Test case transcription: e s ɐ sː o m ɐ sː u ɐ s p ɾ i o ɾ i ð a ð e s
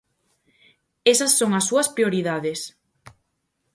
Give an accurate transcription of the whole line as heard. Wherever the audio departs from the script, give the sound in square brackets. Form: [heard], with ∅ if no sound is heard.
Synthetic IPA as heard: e s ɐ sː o [ŋ] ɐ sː u ɐ s p ɾ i o ɾ i ð a ð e s